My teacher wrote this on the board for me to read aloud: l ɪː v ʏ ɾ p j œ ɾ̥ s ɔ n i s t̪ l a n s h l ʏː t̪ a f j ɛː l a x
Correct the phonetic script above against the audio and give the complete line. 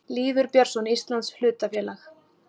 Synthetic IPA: l iː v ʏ ɾ p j œ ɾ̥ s ɔ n i s t̪ l a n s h l ʏː t̪ a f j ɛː l a x